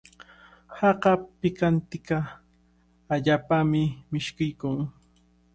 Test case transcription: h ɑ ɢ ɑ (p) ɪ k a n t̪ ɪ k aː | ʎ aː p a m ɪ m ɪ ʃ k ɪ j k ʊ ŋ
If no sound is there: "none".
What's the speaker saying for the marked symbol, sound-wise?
p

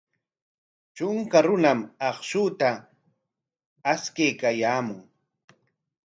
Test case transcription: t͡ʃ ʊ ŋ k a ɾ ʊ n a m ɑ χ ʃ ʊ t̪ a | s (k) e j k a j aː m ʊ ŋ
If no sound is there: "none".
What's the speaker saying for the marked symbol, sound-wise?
k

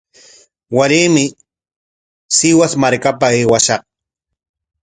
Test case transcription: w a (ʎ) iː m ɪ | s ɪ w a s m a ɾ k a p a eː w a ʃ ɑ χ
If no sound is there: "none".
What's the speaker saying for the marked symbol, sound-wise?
ɾ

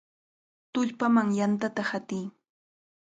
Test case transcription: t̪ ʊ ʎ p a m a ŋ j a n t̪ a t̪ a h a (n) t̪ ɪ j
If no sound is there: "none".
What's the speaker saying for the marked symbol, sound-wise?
none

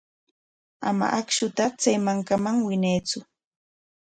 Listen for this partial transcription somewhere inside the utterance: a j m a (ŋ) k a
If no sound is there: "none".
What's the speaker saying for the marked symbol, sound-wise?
ŋ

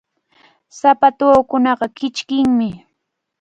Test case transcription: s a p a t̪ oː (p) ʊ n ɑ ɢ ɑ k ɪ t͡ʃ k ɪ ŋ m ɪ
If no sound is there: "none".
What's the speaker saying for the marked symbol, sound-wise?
k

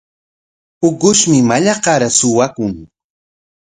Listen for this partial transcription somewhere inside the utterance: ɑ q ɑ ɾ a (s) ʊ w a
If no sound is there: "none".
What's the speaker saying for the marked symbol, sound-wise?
s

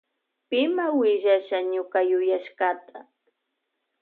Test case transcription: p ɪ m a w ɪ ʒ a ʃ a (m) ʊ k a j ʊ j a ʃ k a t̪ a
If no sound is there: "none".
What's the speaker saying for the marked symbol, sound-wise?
ɲ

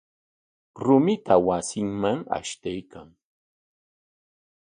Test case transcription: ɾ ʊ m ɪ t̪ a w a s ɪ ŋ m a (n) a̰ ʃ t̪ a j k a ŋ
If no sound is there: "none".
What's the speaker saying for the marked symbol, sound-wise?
ŋ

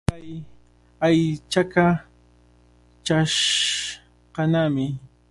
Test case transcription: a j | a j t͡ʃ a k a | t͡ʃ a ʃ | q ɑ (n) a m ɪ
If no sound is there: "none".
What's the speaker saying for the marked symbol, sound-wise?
n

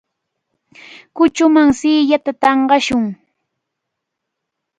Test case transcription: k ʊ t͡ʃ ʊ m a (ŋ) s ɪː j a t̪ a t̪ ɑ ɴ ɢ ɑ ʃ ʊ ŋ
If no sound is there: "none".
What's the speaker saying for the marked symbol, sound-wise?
ŋ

